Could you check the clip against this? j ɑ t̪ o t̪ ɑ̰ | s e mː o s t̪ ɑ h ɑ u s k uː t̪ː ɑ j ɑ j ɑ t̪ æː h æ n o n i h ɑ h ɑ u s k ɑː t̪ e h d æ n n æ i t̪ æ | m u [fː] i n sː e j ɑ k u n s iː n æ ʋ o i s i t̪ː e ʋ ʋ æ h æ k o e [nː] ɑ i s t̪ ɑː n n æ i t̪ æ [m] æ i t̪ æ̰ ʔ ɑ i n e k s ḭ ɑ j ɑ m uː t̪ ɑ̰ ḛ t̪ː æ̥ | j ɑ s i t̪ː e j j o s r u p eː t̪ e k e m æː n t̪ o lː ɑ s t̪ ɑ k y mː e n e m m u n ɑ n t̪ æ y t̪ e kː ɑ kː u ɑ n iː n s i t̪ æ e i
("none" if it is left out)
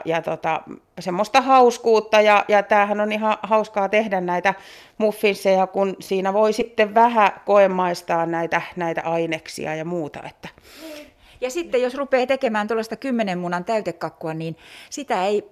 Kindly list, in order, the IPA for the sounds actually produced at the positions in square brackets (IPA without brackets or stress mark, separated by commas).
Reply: fː, mː, n